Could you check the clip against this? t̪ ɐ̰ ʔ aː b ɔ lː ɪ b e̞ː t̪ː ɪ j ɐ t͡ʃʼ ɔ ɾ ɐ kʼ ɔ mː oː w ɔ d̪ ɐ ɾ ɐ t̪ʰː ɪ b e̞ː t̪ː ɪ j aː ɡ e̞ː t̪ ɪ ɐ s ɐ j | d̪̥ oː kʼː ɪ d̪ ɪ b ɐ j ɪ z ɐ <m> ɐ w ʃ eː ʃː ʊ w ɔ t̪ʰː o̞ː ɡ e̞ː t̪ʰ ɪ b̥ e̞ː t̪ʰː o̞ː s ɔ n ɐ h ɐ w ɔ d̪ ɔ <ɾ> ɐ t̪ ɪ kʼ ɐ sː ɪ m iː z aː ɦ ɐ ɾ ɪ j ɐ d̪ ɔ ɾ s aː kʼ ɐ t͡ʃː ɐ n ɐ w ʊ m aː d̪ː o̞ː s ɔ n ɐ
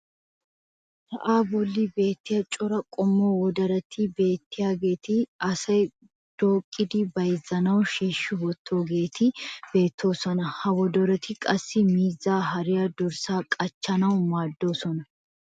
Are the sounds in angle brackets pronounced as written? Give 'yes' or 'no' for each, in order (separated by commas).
no, yes